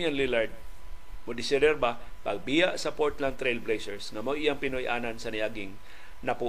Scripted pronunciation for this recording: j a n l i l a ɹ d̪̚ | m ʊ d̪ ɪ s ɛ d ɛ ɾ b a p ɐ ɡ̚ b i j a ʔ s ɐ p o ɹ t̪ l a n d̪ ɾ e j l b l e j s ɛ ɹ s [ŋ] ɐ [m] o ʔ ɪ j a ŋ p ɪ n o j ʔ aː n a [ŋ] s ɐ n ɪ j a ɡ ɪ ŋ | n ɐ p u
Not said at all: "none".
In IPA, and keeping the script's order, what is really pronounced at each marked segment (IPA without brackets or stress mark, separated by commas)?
ŋ, m, n